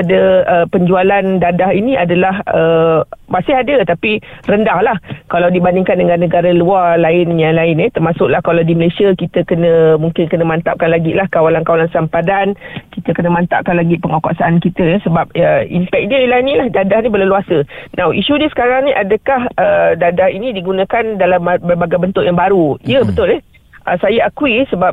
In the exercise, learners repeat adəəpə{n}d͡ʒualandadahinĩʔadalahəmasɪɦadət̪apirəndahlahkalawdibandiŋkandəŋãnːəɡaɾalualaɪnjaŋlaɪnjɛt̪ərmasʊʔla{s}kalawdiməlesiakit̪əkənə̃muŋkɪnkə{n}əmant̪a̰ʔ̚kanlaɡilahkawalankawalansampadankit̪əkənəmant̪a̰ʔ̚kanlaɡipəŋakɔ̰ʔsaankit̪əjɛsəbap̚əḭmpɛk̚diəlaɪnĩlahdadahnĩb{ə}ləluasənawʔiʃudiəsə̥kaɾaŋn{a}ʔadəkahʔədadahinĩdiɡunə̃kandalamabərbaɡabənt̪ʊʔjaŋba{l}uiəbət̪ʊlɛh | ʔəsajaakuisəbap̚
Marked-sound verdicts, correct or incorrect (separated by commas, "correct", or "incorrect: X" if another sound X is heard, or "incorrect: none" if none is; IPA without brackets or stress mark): incorrect: ɲ, incorrect: h, correct, correct, incorrect: i, incorrect: ɾ